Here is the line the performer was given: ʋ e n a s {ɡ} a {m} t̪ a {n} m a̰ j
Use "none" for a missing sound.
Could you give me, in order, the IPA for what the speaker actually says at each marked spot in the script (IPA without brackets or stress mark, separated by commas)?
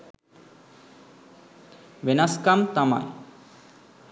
k, m, none